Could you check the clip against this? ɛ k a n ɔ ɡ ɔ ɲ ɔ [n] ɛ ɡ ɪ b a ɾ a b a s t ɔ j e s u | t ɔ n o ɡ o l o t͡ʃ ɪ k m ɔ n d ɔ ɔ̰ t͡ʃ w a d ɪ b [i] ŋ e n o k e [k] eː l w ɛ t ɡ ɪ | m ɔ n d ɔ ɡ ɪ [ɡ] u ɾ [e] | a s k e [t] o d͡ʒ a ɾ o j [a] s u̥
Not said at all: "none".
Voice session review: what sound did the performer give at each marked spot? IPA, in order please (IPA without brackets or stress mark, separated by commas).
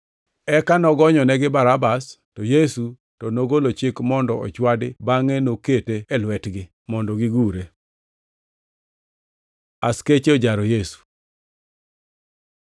n, a, t, ɡ, e, t͡ʃ, e